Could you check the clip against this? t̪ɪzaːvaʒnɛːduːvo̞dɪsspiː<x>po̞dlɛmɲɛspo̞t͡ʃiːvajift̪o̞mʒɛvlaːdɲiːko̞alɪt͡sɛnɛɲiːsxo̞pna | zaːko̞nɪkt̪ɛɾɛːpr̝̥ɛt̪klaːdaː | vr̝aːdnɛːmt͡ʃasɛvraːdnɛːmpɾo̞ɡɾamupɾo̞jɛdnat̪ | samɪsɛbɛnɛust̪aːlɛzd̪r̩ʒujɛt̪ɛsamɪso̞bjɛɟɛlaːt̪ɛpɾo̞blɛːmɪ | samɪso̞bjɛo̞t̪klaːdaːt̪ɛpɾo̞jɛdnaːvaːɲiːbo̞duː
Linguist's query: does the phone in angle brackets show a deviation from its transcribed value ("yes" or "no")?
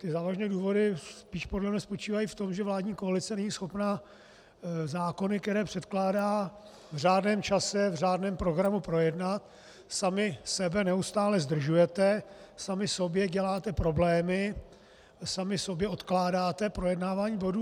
yes